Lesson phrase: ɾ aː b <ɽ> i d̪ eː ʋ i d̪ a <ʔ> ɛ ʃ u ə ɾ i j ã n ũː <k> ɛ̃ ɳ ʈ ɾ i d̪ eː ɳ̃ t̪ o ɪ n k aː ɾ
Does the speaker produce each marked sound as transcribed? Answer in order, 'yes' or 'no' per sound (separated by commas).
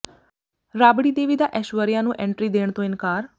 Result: yes, yes, no